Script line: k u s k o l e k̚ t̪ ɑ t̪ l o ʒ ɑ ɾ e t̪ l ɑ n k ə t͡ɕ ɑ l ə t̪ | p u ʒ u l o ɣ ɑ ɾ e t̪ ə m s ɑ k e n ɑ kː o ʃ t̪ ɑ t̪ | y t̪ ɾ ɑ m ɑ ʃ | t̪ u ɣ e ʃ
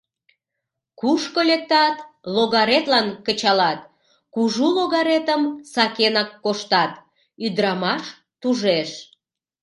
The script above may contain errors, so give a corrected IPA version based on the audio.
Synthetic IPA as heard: k u ʃ k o l e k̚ t̪ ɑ t̪ l o ɣ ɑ ɾ e t̪ l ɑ n k ə t͡ɕ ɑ l ɑ t̪ | k u ʒ u l o ɣ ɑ ɾ e t̪ ə m s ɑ k e n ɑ kː o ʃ t̪ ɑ t̪ | y d̪ ɾ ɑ m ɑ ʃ | t̪ u ʒ e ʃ